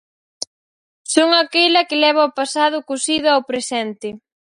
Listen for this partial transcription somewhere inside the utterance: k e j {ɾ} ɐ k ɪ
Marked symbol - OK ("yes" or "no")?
no